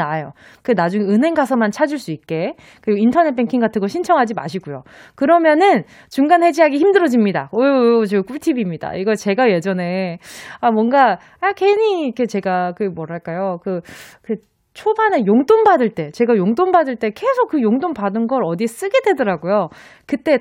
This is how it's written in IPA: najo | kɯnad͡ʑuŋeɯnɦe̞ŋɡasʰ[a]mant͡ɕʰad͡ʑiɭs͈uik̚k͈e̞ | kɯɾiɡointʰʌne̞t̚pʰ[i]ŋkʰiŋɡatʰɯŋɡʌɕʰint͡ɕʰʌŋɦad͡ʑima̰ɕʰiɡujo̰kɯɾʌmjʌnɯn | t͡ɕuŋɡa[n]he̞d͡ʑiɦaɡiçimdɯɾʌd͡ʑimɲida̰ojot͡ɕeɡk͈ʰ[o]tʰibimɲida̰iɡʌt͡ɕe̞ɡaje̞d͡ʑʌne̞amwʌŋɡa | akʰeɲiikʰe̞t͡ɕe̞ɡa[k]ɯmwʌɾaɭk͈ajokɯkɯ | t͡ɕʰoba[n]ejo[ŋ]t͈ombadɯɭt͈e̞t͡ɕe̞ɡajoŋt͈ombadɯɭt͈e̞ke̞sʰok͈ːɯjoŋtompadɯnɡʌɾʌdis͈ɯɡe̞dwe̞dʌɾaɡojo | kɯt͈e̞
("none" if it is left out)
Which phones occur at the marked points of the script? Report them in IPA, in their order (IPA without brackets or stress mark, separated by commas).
ʌ, e, n, u, k, n, ŋ